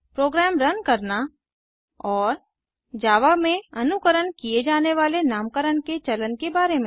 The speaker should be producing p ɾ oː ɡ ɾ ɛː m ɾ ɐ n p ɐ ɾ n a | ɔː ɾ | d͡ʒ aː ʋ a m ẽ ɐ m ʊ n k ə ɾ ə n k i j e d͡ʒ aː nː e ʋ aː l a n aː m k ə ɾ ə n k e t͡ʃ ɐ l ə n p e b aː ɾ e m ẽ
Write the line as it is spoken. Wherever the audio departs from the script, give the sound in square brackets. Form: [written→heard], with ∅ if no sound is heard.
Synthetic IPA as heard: p ɾ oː ɡ ɾ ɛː m ɾ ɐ n [p→k] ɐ ɾ n a | ɔː ɾ | d͡ʒ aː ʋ a m ẽ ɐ [m→n] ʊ [n→∅] k ə ɾ ə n k i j e d͡ʒ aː [nː→n] e ʋ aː l [a→e] n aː m k ə ɾ ə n k e t͡ʃ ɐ l ə n [p→k] e b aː ɾ e m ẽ